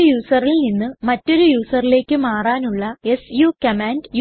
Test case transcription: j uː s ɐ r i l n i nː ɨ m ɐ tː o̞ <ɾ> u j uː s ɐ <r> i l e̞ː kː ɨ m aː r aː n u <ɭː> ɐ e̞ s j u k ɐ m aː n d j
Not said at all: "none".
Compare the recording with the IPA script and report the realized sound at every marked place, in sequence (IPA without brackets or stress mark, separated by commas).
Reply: ɾ, r, ɭː